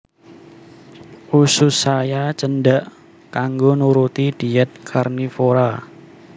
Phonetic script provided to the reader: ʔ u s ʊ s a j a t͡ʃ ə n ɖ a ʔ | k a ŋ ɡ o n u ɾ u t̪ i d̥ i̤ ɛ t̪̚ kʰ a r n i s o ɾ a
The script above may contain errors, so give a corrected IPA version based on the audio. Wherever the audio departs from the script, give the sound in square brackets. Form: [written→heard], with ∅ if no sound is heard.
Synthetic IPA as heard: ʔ u s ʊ s a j a t͡ʃ ə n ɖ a ʔ | k a ŋ ɡ o n u ɾ u t̪ i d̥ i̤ ɛ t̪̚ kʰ a r n i [s→f] o ɾ a